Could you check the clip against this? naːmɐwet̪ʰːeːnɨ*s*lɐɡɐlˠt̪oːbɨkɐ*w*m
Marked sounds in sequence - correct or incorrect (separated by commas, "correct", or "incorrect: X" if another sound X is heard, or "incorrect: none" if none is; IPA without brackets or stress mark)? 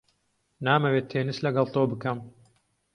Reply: correct, incorrect: none